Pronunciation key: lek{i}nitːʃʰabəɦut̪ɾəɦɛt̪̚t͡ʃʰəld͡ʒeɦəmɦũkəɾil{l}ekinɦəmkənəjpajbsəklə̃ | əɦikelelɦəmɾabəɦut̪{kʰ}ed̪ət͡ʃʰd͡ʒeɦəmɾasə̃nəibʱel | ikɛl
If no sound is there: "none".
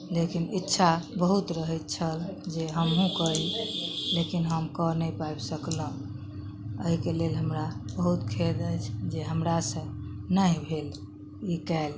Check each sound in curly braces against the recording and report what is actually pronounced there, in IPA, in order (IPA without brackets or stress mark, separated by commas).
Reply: i, l, kʰ